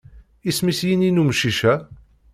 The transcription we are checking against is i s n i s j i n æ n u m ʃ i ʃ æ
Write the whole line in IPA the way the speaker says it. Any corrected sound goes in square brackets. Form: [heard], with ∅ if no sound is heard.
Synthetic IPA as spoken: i s [m] i s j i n [i] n u m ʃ i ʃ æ